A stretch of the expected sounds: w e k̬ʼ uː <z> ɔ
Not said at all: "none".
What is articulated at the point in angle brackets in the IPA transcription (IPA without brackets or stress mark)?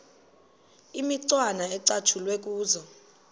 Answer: z